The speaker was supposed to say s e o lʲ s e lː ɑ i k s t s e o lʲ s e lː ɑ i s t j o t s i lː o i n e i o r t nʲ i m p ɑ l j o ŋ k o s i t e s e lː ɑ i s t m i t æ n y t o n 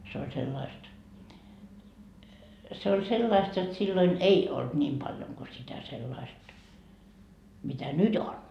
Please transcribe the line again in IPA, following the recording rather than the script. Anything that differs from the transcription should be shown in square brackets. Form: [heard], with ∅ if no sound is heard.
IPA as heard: s e o lʲ s e lː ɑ i [∅] s t s e o lʲ s e lː ɑ i s t j o t s i lː o i n e i o [l] t nʲ [iː] m p ɑ l j o ŋ k o s i t [æ] s e lː ɑ i s t m i t æ n y t o n